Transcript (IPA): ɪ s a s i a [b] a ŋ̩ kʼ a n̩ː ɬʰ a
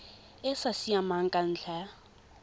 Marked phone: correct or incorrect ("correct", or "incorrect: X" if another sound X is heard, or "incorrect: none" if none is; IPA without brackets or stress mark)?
incorrect: m